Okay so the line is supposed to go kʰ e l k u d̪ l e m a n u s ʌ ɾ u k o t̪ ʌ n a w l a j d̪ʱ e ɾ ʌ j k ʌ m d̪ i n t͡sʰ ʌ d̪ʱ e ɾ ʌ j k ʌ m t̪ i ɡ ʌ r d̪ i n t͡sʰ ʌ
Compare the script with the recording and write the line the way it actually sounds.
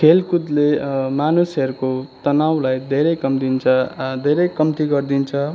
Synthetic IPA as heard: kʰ e l k u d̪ l e m a n u s ʌ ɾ u k o t̪ ʌ n a w l a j d̪ʱ e ɾ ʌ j k ʌ m d̪ i n t͡sʰ ʌ d̪ʱ e ɾ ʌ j k ʌ m t̪ i ɡ ʌ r d̪ i n t͡sʰ ʌ

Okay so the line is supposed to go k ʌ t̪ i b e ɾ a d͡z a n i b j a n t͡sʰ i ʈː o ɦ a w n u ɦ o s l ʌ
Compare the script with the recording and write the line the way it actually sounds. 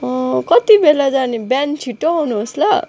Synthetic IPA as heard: k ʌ t̪ i b e l a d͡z a n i b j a n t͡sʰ i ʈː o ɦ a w n u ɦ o s l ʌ

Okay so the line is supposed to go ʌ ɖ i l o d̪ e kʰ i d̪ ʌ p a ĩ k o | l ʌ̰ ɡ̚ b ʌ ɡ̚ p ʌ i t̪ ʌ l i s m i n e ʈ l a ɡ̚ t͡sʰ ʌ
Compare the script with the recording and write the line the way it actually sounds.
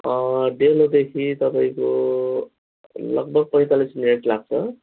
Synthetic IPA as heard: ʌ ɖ e l o d̪ e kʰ i t̪ ʌ p a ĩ k o | l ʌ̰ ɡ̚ b ʌ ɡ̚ p ʌ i t̪ a l i s m i n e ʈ l a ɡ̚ t͡sʰ ʌ

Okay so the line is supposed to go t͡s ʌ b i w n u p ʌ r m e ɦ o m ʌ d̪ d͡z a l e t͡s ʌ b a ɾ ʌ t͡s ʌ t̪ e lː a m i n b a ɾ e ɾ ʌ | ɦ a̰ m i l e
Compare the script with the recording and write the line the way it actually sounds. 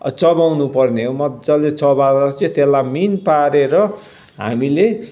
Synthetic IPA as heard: t͡s ʌ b a w n u p ʌ r n e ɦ o m ʌ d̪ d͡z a l e t͡s ʌ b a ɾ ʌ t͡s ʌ t̪ e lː a m i n p a ɾ e ɾ ʌ | ɦ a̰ m i l e

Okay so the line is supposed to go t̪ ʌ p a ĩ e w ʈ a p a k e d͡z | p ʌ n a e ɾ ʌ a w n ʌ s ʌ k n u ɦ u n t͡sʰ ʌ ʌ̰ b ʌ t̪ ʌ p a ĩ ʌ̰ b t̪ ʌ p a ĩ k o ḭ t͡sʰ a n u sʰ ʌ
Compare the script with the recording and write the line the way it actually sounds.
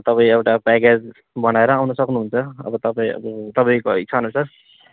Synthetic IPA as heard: t̪ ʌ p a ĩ e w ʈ a p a k e d͡z | b ʌ n a e ɾ ʌ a w n ʌ s ʌ k n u ɦ u n t͡sʰ ʌ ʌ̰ b ʌ t̪ ʌ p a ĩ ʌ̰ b t̪ ʌ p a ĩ k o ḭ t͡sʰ a n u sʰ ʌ

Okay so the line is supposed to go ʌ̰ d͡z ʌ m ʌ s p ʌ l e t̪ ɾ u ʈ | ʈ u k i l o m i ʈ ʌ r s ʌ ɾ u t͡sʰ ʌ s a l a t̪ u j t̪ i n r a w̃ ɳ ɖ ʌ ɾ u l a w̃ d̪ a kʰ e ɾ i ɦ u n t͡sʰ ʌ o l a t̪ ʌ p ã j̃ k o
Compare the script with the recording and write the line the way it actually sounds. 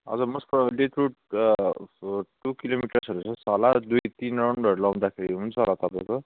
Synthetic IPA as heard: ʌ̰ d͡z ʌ m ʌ s p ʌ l e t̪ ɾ u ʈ | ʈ u k i l o m i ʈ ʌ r s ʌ ɾ u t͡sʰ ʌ s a l a d̪ u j t̪ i n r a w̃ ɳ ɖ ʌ ɾ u l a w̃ d̪ a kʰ e ɾ i ɦ u n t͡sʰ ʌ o l a t̪ ʌ p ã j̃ k o

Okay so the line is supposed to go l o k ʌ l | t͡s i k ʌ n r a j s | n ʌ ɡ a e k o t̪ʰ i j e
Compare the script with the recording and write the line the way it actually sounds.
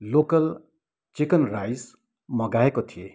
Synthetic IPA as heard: l o k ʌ l | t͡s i k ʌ n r a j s | m ʌ ɡ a e k o t̪ʰ i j e

